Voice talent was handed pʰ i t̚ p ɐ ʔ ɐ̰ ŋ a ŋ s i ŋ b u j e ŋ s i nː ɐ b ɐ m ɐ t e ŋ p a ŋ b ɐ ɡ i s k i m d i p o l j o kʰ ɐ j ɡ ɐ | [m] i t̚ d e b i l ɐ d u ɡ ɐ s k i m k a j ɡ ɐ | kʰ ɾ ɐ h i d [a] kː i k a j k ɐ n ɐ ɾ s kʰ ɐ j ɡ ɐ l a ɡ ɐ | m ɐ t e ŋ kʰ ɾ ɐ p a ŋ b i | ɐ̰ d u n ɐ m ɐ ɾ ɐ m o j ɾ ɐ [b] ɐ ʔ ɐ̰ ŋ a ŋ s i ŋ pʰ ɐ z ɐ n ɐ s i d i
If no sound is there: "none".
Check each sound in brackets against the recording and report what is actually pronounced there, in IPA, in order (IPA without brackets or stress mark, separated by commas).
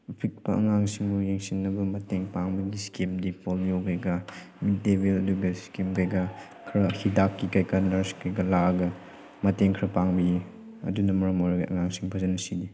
m, a, ɡ